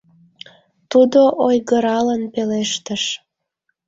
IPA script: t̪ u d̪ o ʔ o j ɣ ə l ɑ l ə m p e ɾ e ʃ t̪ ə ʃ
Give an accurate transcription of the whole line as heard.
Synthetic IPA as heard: t̪ u d̪ o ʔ o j ɣ ə ɾ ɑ l ə n p e l e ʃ t̪ ə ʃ